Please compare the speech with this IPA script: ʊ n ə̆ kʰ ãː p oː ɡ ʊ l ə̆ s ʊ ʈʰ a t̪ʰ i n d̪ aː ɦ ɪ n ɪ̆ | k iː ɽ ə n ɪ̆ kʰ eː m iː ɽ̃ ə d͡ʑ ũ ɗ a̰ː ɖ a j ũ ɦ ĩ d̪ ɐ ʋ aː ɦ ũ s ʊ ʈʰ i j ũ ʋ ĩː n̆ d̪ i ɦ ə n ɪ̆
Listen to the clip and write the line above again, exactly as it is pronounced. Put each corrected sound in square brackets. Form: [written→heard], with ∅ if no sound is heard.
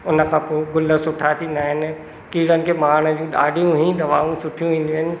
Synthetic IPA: ʊ n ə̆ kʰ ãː p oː ɡ ʊ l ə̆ s ʊ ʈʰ a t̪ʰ i n d̪ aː ɦ ɪ n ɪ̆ | k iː ɽ ə n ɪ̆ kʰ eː m [iː→aː] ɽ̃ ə d͡ʑ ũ ɗ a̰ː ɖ [a→i] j ũ ɦ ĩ d̪ ɐ ʋ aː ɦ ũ s ʊ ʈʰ i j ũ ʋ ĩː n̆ d̪ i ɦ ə n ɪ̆